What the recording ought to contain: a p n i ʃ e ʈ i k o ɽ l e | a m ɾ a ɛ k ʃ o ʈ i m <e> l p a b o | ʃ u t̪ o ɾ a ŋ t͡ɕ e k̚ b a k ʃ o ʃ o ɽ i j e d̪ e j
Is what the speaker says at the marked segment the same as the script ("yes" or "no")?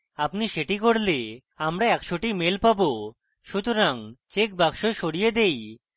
yes